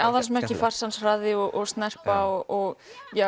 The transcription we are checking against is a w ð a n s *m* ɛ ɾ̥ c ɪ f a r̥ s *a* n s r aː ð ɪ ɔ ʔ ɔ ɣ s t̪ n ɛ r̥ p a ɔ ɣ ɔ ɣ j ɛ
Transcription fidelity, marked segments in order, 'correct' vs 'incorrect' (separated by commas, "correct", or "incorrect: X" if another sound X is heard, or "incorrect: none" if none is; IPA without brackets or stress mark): correct, correct